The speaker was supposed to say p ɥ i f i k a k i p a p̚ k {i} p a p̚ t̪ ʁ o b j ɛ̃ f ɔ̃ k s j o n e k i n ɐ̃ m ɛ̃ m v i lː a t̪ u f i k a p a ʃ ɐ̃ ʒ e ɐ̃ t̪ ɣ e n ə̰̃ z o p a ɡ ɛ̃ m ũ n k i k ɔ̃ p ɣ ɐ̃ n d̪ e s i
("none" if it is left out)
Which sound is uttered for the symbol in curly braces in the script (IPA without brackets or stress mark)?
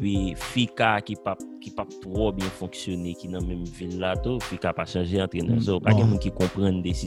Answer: i